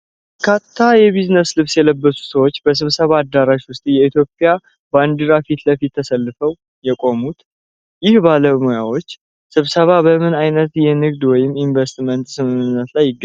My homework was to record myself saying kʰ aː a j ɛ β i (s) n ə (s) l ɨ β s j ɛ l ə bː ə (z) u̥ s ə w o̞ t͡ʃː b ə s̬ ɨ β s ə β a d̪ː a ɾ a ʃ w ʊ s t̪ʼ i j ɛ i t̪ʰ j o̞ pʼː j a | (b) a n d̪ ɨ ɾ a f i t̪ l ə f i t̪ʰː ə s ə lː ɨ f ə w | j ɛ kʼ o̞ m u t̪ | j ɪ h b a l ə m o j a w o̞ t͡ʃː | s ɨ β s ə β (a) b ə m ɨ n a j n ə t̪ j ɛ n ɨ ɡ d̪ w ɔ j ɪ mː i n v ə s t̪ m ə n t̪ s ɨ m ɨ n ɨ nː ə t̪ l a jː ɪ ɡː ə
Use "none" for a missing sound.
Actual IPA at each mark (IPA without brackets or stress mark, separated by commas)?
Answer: z, s, s, b, a